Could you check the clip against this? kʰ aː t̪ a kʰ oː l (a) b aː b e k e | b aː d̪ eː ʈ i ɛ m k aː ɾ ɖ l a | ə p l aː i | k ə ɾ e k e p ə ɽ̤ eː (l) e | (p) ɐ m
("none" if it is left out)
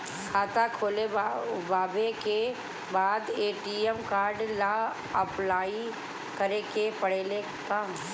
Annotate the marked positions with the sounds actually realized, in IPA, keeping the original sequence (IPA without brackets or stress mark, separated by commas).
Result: e, l, k